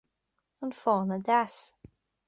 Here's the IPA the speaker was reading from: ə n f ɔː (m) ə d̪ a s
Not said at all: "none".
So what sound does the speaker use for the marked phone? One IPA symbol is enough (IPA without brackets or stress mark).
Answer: n